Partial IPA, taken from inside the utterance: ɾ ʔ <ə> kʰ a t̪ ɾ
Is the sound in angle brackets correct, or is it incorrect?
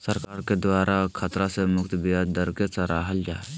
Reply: incorrect